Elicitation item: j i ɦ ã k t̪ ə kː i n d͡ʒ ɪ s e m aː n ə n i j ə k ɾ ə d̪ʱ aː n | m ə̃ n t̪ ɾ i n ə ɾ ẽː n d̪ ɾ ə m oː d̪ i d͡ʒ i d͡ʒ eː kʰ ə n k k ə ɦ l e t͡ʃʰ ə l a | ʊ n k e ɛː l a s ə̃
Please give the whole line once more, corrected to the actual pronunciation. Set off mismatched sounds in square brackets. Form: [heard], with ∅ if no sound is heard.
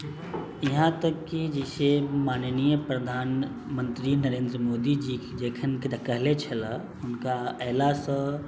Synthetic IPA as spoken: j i ɦ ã [∅] t̪ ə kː i [∅] d͡ʒ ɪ s e m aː n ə n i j ə [p] ɾ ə d̪ʱ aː n | m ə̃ n t̪ ɾ i n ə ɾ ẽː n d̪ ɾ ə m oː d̪ i d͡ʒ i d͡ʒ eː kʰ ə n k k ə ɦ l e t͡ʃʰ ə l a | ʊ n k [a] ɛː l a s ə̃

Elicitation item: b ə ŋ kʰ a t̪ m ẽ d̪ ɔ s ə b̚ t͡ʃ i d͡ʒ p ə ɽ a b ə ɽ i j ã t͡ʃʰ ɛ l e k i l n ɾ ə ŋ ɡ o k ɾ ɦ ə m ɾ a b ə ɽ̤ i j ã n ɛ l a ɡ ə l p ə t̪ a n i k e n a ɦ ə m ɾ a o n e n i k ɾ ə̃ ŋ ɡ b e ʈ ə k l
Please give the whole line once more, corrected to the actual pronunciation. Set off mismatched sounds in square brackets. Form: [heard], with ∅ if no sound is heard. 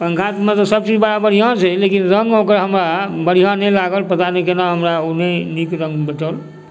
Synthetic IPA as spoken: [p] ə ŋ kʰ a t̪ m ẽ [t̪] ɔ s ə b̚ t͡ʃ i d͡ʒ [b] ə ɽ a b ə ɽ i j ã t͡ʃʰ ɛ l e k i [∅] n ɾ ə ŋ ɡ o k ɾ ɦ ə m ɾ a b ə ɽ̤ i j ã n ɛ l a ɡ ə l p ə t̪ a n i k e n a ɦ ə m ɾ a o n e n i k ɾ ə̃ ŋ ɡ b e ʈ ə [∅] l

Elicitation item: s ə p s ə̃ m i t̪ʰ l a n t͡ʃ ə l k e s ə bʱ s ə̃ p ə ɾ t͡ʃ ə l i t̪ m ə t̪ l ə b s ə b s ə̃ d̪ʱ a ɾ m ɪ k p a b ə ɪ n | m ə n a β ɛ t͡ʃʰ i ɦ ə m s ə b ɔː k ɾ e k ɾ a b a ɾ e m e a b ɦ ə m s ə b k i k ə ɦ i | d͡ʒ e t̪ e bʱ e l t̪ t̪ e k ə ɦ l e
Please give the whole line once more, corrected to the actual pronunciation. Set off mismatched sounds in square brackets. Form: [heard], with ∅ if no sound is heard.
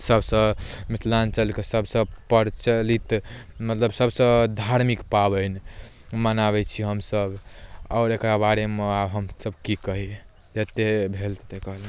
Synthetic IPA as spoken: s ə [b] s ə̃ m i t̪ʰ l a n t͡ʃ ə l k e s ə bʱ s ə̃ p ə ɾ t͡ʃ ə l i t̪ m ə t̪ l ə b s ə b s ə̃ d̪ʱ a ɾ m [i] k p a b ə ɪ n | m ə n a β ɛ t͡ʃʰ i ɦ ə m s ə b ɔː [∅] ɾ e k ɾ a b a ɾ e m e a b ɦ ə m s ə b k i k ə ɦ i | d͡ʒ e t̪ e bʱ e l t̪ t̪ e k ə ɦ l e

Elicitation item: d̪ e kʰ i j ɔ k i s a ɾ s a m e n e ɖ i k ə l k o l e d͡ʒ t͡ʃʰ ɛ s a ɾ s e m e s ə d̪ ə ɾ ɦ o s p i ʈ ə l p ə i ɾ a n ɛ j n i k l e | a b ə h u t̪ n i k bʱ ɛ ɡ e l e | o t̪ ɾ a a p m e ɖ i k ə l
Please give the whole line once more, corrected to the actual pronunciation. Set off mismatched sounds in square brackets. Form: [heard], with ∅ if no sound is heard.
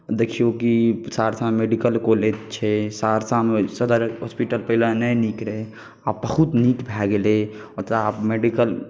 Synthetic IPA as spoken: d̪ e kʰ i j [o] k i s a ɾ s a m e [m] e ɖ i k ə l k o l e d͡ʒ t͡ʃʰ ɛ s a ɾ s [a] m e s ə d̪ ə ɾ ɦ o s p i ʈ ə l p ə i [l] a n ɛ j n i k [ɾ] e | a b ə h u t̪ n i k bʱ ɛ ɡ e l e | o t̪ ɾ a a p m e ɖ i k ə l

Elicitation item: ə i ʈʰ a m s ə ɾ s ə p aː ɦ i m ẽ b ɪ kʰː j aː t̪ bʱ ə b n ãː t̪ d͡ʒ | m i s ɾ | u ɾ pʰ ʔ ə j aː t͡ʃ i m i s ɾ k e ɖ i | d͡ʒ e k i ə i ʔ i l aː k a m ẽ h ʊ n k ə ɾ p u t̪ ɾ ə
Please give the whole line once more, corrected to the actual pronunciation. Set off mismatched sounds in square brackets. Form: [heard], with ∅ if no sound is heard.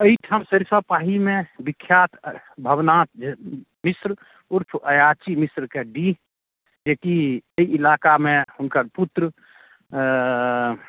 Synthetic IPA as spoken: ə i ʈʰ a m s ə ɾ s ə p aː ɦ i m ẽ b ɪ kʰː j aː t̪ bʱ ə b n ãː t̪ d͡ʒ | m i s ɾ | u ɾ pʰ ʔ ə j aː t͡ʃ i m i s ɾ k e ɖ i | d͡ʒ e k i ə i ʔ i l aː k a m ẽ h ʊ n k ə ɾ p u t̪ ɾ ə

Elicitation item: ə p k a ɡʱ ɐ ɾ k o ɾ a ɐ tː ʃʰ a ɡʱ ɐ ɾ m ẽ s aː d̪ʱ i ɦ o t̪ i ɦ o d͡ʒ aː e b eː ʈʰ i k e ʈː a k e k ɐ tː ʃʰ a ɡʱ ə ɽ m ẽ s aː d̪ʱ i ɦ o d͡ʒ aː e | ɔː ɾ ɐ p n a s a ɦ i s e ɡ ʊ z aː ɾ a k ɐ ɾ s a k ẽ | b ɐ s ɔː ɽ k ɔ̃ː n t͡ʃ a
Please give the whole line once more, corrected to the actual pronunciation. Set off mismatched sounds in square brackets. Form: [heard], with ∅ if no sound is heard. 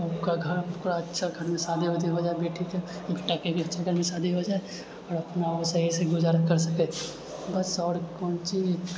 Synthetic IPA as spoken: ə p k a ɡʱ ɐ ɾ k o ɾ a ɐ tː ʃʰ a ɡʱ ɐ ɾ m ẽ s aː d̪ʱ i ɦ o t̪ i ɦ o d͡ʒ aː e b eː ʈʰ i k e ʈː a k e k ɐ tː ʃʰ a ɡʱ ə [ɾ] m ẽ s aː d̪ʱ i ɦ o d͡ʒ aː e | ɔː ɾ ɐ p n a s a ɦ i s e ɡ ʊ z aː ɾ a k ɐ ɾ s [ɐ] k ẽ | b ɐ s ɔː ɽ k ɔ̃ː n t͡ʃ [i]

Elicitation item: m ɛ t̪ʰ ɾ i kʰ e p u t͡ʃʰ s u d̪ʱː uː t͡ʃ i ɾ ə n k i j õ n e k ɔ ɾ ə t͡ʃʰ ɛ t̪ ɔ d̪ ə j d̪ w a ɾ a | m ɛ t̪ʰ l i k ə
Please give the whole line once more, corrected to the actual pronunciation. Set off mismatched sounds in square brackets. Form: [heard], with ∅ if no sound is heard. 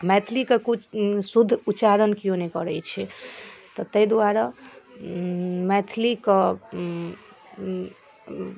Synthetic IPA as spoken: m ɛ t̪ʰ [l] i [k] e [k] u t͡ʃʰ s u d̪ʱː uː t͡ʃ [a] ɾ ə n k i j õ n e k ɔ ɾ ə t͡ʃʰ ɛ t̪ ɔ [t̪] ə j d̪ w a ɾ a | m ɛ t̪ʰ l i k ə

